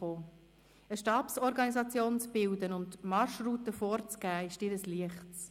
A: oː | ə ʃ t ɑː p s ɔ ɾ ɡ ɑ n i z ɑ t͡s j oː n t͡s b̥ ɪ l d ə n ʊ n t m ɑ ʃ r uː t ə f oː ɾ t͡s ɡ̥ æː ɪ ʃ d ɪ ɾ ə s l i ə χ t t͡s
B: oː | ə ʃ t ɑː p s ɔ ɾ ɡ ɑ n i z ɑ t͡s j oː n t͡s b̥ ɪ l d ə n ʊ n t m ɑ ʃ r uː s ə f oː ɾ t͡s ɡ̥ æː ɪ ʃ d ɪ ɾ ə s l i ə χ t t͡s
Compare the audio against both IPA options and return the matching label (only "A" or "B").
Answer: A